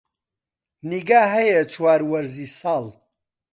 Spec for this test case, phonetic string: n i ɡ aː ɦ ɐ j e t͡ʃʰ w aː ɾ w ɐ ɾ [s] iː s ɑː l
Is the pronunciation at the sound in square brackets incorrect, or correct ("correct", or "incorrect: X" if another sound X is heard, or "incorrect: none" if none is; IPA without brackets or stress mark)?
incorrect: z